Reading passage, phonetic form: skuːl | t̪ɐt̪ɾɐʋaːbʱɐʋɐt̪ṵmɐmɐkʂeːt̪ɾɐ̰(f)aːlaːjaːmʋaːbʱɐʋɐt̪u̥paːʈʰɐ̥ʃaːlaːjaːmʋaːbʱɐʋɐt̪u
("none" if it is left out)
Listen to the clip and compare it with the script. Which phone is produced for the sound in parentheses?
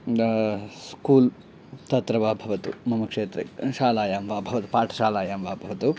ʃ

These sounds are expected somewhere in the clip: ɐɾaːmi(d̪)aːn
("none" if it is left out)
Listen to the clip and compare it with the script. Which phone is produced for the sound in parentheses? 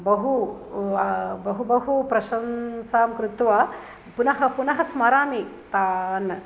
t̪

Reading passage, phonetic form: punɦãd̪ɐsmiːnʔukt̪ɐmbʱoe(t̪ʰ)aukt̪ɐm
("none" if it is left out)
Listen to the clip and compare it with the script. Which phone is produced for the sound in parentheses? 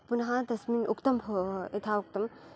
t̪ʰ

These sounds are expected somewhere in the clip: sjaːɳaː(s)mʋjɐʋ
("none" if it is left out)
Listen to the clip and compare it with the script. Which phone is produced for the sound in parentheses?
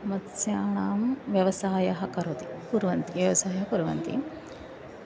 none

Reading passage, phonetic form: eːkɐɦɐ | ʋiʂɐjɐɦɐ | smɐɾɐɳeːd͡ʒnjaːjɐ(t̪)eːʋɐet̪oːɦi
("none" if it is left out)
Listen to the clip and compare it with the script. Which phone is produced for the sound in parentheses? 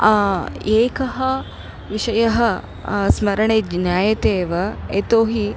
t̪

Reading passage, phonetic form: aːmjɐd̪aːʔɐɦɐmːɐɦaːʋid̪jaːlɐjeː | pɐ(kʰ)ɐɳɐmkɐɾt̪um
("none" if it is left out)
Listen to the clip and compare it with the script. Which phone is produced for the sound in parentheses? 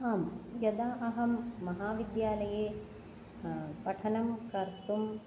ʈʰ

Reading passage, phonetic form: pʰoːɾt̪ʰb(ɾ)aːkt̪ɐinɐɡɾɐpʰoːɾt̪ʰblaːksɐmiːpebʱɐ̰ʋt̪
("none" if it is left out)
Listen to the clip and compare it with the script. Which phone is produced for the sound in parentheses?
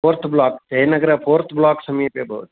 l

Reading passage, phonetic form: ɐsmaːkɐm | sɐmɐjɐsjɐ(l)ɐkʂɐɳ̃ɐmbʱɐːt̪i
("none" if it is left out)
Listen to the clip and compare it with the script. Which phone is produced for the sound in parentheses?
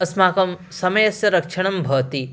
ɾ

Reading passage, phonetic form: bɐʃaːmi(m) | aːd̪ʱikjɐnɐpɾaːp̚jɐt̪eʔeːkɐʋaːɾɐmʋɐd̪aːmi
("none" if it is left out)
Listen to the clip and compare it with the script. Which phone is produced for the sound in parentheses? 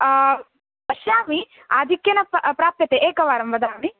none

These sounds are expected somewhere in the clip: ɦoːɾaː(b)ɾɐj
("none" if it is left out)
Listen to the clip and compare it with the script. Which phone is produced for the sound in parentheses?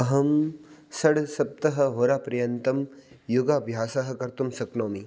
p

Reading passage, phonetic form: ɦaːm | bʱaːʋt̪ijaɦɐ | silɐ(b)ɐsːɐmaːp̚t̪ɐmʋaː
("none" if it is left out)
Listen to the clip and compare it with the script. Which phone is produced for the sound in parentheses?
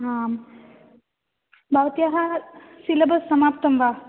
b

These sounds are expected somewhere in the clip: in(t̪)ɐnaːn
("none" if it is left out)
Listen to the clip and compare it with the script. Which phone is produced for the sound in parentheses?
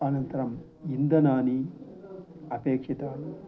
d̪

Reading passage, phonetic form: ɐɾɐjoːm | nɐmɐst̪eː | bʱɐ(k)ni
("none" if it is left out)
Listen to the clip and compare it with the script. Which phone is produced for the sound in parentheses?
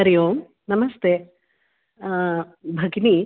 ɡ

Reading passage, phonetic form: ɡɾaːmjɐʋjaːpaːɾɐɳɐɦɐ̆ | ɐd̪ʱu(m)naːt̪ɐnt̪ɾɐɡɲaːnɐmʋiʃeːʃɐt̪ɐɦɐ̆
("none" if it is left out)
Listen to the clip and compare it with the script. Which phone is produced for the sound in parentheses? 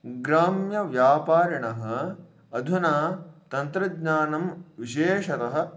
none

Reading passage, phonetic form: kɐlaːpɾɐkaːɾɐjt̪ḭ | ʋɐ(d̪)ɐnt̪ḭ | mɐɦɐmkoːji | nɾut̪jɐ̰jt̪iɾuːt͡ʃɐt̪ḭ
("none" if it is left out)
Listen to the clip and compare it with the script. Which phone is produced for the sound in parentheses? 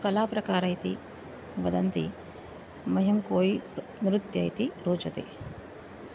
d̪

